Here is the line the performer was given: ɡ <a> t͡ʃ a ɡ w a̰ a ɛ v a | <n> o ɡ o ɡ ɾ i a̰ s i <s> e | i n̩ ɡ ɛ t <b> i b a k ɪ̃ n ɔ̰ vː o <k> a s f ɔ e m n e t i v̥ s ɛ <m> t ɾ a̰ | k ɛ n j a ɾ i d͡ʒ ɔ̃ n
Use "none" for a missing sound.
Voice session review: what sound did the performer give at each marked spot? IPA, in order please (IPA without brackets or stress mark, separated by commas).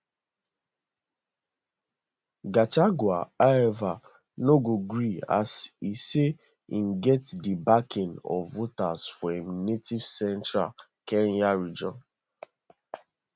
a, n, s, d, t, n